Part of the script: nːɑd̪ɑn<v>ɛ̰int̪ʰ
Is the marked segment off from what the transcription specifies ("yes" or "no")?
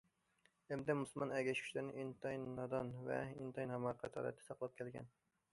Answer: no